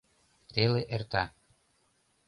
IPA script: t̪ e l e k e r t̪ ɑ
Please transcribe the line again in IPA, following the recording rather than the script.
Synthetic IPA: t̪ e l e ʔ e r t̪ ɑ